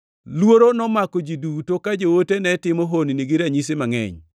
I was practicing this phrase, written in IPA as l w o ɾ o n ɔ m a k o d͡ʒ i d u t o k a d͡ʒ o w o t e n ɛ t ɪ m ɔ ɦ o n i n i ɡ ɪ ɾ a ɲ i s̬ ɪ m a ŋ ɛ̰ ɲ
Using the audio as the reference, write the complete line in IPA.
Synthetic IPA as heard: l w o ɾ o n ɔ m a k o d͡ʒ i d u t o k a d͡ʒ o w o t e n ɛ t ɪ m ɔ ɦ o n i n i ɡ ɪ ɾ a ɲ i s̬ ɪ m a ŋ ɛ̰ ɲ